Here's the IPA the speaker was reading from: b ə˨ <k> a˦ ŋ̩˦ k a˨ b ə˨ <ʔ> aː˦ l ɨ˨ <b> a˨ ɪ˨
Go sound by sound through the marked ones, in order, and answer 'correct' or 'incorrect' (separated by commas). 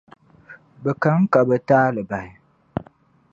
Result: correct, incorrect, correct